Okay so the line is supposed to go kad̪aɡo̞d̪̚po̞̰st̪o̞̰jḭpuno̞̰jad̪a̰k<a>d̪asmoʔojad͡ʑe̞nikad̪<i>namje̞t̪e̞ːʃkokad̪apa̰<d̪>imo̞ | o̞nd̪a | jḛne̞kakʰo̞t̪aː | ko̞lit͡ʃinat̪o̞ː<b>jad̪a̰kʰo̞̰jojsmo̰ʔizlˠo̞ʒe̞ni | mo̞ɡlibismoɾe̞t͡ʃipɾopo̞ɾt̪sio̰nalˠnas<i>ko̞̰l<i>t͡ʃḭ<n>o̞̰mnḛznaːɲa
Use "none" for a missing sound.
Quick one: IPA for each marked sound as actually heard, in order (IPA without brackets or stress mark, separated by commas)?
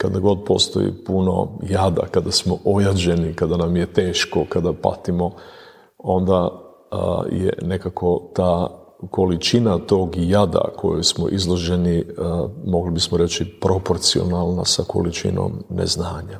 a, a, t̪, ɡ, a, i, n